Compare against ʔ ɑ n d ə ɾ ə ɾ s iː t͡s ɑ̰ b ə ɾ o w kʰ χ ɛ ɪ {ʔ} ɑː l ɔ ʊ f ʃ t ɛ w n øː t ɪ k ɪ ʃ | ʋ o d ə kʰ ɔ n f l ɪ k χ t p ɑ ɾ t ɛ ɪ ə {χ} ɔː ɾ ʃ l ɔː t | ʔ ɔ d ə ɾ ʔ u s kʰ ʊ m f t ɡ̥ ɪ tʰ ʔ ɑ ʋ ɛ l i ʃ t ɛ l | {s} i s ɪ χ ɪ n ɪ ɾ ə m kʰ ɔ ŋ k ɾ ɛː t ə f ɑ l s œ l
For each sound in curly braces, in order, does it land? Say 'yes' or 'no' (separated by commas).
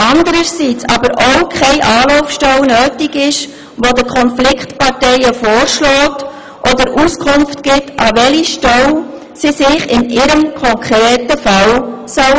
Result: yes, no, yes